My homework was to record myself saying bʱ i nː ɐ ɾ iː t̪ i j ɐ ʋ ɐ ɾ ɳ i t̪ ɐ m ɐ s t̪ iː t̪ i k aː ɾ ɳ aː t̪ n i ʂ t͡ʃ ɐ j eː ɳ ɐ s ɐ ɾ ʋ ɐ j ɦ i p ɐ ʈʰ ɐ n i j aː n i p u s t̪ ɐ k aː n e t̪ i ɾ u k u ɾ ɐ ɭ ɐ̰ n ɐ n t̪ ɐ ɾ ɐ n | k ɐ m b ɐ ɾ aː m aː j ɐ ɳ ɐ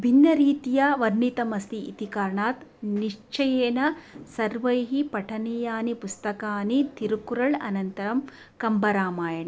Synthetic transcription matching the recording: bʱ i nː ɐ ɾ iː t̪ i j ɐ ʋ ɐ ɾ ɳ i t̪ ɐ m ɐ s t̪ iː t̪ i k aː ɾ ɳ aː t̪ n i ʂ t͡ʃ ɐ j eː n ɐ s ɐ ɾ ʋ ɐ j ɦ i p ɐ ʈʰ ɐ n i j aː n i p u s t̪ ɐ k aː n i t̪ i ɾ u k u ɾ ɐ ɭ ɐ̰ n ɐ n t̪ ɐ ɾ ɐ m | k ɐ m b ɐ ɾ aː m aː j ɐ ɳ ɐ

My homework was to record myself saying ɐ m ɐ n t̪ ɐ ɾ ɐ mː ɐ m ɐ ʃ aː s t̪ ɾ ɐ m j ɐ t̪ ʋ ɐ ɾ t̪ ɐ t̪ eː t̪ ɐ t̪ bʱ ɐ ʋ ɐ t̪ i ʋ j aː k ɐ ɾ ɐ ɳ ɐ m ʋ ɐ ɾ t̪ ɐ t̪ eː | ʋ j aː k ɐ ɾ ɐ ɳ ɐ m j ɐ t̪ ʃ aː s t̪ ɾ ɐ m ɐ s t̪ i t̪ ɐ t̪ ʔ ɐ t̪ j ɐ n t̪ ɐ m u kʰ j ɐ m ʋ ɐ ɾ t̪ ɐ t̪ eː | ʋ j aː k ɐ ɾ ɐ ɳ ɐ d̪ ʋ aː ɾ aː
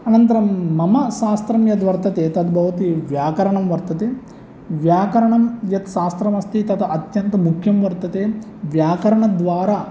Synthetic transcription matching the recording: ɐ n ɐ n t̪ ɐ ɾ ɐ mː ɐ m ɐ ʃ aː s t̪ ɾ ɐ m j ɐ t̪ ʋ ɐ ɾ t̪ ɐ t̪ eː t̪ ɐ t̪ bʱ ɐ ʋ ɐ t̪ i ʋ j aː k ɐ ɾ ɐ ɳ ɐ m ʋ ɐ ɾ t̪ ɐ t̪ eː | ʋ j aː k ɐ ɾ ɐ ɳ ɐ m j ɐ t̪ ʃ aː s t̪ ɾ ɐ m ɐ s t̪ i t̪ ɐ t̪ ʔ ɐ t̪ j ɐ n t̪ ɐ m u kʰ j ɐ m ʋ ɐ ɾ t̪ ɐ t̪ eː | ʋ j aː k ɐ ɾ ɐ ɳ ɐ d̪ ʋ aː ɾ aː

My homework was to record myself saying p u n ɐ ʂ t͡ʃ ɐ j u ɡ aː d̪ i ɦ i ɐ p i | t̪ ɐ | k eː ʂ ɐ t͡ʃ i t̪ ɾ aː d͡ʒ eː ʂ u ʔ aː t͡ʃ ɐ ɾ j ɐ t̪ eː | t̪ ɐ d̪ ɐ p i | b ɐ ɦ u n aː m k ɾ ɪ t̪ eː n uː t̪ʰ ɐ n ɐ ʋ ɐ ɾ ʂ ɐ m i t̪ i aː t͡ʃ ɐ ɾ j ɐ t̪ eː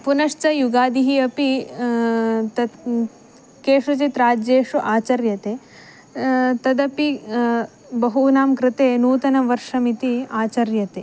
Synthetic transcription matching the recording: p u n ɐ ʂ t͡ʃ ɐ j u ɡ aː d̪ i ɦ i ɐ p i | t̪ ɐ | k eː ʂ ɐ t͡ʃ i t̪ ɾ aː d͡ʒ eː ʂ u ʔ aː t͡ʃ ɐ ɾ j ɐ t̪ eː | t̪ ɐ d̪ ɐ p i | b ɐ ɦ u n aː m k ɾ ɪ t̪ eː n uː t̪ ɐ n ɐ ʋ ɐ ɾ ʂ ɐ m i t̪ i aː t͡ʃ ɐ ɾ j ɐ t̪ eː

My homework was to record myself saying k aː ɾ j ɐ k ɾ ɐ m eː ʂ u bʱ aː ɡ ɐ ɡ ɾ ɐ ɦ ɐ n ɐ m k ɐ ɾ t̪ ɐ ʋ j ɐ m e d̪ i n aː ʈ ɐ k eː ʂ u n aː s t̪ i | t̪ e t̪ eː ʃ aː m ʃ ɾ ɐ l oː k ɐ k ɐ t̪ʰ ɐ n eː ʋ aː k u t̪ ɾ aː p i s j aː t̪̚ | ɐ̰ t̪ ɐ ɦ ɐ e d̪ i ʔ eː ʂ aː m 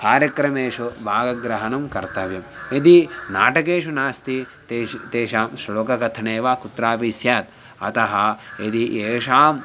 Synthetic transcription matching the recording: k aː ɾ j ɐ k ɾ ɐ m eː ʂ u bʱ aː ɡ ɐ ɡ ɾ ɐ ɦ ɐ n ɐ m k ɐ ɾ t̪ ɐ ʋ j ɐ m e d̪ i n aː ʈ ɐ k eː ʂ u n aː s t̪ i | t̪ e t̪ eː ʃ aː m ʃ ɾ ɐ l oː k ɐ k ɐ t̪ʰ ɐ n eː ʋ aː k u t̪ ɾ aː p i s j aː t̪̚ | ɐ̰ t̪ ɐ ɦ ɐ e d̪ i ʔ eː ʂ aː m

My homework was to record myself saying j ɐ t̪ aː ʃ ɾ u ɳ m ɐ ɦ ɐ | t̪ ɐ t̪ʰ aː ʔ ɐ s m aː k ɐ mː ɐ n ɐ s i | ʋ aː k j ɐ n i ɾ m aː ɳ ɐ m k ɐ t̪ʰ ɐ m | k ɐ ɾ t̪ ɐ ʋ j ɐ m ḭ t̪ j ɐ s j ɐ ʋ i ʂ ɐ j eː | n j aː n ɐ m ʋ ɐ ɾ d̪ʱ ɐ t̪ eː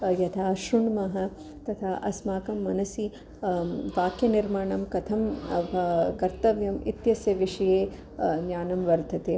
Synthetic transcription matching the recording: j ɐ t̪ʰ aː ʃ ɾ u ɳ m ɐ ɦ ɐ | t̪ ɐ t̪ʰ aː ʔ ɐ s m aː k ɐ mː ɐ n ɐ s i | ʋ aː k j ɐ n i ɾ m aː ɳ ɐ m k ɐ t̪ʰ ɐ m | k ɐ ɾ t̪ ɐ ʋ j ɐ m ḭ t̪ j ɐ s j ɐ ʋ i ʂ ɐ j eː | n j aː n ɐ m ʋ ɐ ɾ d̪ʱ ɐ t̪ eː

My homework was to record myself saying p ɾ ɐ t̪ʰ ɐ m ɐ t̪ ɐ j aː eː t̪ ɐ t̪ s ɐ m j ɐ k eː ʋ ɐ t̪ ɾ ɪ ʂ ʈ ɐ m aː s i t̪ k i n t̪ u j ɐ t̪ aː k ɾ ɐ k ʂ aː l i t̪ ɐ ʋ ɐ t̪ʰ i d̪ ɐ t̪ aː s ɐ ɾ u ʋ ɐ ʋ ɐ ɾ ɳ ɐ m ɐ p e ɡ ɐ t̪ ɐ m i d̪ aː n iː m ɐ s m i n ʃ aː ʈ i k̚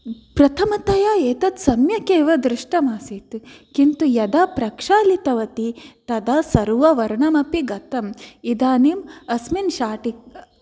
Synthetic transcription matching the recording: p ɾ ɐ t̪ʰ ɐ m ɐ t̪ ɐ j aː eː t̪ ɐ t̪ s ɐ m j ɐ k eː ʋ ɐ d̪ ɾ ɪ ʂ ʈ ɐ m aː s i t̪ k i n t̪ u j ɐ d̪ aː p ɾ ɐ k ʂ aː l i t̪ ɐ ʋ ɐ t̪ i t̪ ɐ d̪ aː s ɐ ɾ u ʋ ɐ ʋ ɐ ɾ ɳ ɐ m ɐ p i ɡ ɐ t̪ ɐ m i d̪ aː n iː m ɐ s m i n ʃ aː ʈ i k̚

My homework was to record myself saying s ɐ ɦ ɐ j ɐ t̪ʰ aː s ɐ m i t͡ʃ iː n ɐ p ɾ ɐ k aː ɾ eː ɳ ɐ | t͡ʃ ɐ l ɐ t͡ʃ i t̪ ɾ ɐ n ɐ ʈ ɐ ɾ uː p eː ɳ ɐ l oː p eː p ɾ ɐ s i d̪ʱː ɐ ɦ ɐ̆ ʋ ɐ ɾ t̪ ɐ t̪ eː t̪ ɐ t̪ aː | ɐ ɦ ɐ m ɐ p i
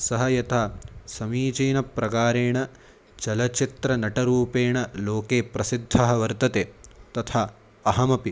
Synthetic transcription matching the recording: s ɐ ɦ ɐ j ɐ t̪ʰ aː s ɐ m iː t͡ʃ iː n ɐ p ɾ ɐ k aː ɾ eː ɳ ɐ | t͡ʃ ɐ l ɐ t͡ʃ i t̪ ɾ ɐ n ɐ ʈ ɐ ɾ uː p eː ɳ ɐ l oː k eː p ɾ ɐ s i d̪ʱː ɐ ɦ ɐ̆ ʋ ɐ ɾ t̪ ɐ t̪ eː t̪ ɐ t̪ʰ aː | ɐ ɦ ɐ m ɐ p i

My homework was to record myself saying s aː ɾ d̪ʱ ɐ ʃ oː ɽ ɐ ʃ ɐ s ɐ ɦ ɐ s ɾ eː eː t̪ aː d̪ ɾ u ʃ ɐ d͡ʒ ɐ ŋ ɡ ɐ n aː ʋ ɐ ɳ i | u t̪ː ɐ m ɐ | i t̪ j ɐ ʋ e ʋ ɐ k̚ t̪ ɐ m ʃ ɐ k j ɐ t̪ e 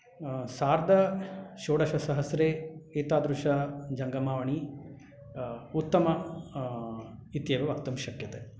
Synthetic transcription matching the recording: s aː ɾ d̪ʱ ɐ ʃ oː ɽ ɐ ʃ ɐ s ɐ ɦ ɐ s ɾ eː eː t̪ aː d̪ ɾ u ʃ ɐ d͡ʒ ɐ ŋ ɡ ɐ m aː ʋ ɐ ɳ i | u t̪ː ɐ m ɐ | i t̪ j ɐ ʋ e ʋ ɐ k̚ t̪ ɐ m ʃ ɐ k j ɐ t̪ e

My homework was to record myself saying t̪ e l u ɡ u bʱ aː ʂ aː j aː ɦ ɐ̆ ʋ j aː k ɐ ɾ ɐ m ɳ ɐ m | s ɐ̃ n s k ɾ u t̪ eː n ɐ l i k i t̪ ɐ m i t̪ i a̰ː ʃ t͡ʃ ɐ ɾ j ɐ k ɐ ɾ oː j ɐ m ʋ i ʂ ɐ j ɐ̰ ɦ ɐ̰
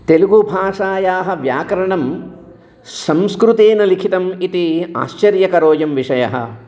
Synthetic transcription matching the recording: t̪ e l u ɡ u bʱ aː ʂ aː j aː ɦ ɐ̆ ʋ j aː k ɐ ɾ ɐ ɳ ɐ m | s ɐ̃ m s k ɾ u t̪ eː n ɐ l i kʰ i t̪ ɐ m i t̪ i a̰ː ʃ t͡ʃ ɐ ɾ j ɐ k ɐ ɾ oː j ɐ m ʋ i ʂ ɐ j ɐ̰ ɦ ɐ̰

